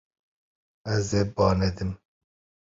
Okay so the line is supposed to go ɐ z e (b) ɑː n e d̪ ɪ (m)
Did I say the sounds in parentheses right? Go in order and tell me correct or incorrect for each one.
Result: correct, correct

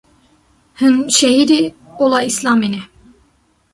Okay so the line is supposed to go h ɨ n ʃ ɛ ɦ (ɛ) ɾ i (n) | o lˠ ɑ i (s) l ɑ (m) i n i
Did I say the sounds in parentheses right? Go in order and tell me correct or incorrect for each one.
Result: incorrect: i, incorrect: none, correct, correct

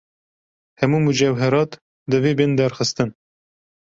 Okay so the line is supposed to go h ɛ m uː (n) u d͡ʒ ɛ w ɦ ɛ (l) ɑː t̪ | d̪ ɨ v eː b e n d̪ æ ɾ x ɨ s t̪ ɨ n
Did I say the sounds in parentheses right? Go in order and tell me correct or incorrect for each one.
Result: incorrect: m, incorrect: ɾ

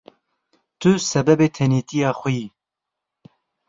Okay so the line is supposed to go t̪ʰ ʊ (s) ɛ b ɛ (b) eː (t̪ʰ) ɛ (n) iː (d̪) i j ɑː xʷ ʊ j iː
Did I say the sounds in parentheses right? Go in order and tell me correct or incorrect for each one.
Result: correct, correct, correct, correct, incorrect: t̪

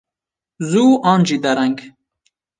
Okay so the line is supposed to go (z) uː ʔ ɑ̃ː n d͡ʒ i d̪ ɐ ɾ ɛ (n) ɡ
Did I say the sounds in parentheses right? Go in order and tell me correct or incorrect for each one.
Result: correct, incorrect: ŋ

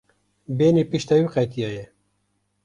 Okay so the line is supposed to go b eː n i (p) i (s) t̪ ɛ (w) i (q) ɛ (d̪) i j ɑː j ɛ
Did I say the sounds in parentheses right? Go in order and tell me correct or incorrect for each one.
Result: correct, incorrect: ʃ, correct, correct, incorrect: t̪

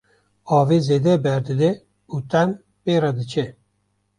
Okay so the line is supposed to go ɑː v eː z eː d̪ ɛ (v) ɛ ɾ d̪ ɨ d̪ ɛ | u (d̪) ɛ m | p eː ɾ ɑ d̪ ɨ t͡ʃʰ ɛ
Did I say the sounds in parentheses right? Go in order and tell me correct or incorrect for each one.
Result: incorrect: b, incorrect: t̪

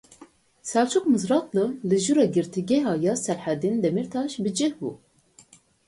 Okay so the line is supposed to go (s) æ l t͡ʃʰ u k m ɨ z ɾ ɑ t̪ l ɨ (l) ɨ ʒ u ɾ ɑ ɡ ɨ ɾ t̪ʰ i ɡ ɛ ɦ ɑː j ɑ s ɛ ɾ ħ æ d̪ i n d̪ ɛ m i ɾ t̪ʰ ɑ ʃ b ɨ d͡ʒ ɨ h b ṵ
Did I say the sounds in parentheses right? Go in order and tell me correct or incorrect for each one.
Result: correct, correct

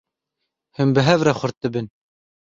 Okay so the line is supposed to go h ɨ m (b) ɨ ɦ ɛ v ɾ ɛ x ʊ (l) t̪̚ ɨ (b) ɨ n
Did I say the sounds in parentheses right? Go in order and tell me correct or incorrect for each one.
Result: correct, incorrect: ɾ, correct

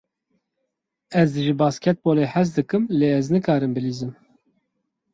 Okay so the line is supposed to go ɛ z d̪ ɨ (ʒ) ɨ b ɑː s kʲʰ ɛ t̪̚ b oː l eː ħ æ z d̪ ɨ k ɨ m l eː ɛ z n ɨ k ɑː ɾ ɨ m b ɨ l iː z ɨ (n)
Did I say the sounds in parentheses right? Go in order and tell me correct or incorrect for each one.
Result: correct, incorrect: m

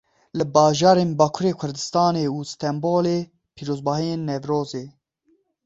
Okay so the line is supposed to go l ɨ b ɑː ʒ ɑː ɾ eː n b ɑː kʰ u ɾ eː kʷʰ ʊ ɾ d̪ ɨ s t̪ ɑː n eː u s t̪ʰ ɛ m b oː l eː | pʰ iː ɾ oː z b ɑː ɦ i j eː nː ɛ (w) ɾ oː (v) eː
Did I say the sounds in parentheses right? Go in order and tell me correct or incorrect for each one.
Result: incorrect: v, incorrect: z

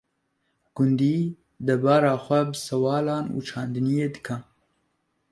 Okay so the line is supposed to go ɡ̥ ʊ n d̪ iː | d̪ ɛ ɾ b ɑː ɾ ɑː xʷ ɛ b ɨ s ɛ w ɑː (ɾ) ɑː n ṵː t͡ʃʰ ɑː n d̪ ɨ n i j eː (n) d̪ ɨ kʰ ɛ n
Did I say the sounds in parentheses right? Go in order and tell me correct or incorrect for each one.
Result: incorrect: l, incorrect: none

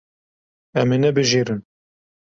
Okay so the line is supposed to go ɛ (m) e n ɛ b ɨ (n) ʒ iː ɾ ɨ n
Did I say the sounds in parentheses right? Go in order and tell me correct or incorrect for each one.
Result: correct, incorrect: none

